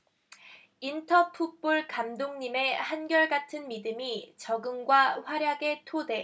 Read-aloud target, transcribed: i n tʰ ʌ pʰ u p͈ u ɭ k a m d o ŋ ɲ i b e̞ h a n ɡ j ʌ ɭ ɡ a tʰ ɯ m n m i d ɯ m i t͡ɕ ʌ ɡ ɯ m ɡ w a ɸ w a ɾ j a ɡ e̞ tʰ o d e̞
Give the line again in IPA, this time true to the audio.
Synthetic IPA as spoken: i n tʰ ʌ pʰ u p͈ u ɭ k a m d o ŋ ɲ i m e̞ h a n ɡ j ʌ ɭ ɡ a tʰ ɯ n m i d ɯ m i t͡ɕ ʌ ɡ ɯ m ɡ w a ɸ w a ɾ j a ɡ e̞ tʰ o d e̞